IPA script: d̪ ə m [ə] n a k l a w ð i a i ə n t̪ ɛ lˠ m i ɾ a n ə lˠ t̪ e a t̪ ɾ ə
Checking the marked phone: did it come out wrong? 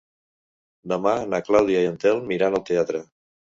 yes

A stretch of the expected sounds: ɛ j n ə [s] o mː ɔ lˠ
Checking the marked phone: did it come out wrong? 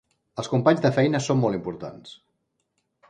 no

